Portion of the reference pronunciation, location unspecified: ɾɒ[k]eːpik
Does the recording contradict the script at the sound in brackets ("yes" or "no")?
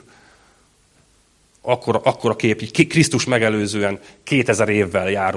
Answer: no